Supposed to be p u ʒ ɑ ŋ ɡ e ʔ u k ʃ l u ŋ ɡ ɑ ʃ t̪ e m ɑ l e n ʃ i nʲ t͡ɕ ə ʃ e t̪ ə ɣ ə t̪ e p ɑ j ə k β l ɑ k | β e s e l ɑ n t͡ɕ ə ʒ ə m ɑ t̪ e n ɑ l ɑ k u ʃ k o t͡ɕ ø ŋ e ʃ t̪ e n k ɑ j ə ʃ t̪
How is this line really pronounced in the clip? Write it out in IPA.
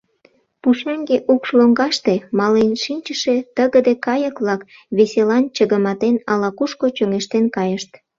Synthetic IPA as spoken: p u ʃ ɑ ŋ ɡ e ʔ u k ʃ l o ŋ ɡ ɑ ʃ t̪ e m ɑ l e n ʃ i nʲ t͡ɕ ə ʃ e t̪ ə ɣ ə d̪ e k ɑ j ə k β l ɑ k | β e s e l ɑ n t͡ɕ ə ɣ ə m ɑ t̪ e n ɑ l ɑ k u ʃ k o t͡ɕ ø ŋ e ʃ t̪ e n k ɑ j ə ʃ t̪